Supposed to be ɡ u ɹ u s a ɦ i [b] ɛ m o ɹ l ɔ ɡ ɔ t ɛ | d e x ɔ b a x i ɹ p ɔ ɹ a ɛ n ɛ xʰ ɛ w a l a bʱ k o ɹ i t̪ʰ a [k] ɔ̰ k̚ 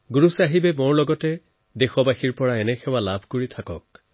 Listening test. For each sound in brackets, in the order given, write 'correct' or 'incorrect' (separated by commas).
correct, correct